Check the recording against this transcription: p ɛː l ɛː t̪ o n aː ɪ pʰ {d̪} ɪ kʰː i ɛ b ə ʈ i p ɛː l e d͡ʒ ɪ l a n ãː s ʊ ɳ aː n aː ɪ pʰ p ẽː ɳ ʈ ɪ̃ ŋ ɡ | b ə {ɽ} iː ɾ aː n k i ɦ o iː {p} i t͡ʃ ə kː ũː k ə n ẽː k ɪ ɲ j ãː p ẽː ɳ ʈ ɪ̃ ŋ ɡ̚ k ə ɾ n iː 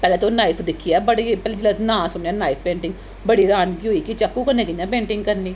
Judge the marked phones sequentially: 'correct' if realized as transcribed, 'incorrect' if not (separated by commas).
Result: correct, correct, incorrect